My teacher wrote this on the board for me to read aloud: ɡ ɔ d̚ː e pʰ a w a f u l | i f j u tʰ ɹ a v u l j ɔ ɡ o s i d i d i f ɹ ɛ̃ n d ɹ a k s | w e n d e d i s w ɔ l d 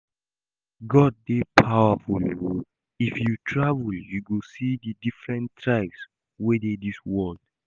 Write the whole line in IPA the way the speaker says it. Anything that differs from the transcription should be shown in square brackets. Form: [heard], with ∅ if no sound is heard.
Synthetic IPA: ɡ ɔ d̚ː e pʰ a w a f u l | i f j u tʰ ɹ a v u l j [u] ɡ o s i d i d i f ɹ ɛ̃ n [t] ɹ a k s | w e [∅] d e d i s w ɔ l d